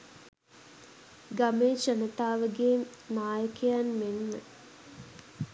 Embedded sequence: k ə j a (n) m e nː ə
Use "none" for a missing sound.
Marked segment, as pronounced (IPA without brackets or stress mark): n